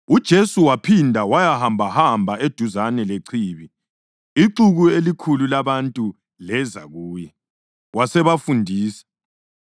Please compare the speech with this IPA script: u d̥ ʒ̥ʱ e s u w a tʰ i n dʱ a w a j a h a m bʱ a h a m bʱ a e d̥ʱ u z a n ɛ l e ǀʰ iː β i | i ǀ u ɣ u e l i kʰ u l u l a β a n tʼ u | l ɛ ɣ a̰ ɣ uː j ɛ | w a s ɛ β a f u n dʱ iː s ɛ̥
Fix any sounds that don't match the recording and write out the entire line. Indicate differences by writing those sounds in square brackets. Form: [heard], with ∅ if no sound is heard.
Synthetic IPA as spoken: u d̥ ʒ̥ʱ e s u w a [pʰ] i n dʱ a w a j a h a m bʱ a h a m bʱ a e d̥ʱ u z a n ɛ l e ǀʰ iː β i | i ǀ u ɣ u e l i kʰ u l u l a β a n tʼ u | l ɛ [z] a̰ ɣ uː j ɛ | w a s ɛ β a f u n dʱ iː s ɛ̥